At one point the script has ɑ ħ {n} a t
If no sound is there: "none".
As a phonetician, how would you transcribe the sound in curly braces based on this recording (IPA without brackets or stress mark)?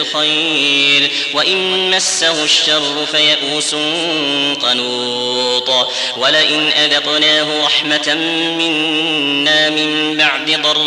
m